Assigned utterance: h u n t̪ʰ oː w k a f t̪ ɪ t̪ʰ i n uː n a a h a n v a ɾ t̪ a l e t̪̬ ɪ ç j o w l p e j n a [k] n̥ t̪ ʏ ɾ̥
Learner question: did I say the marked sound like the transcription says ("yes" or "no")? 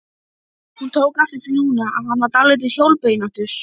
no